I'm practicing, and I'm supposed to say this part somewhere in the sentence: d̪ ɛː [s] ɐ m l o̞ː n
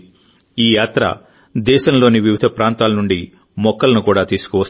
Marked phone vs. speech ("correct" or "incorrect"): incorrect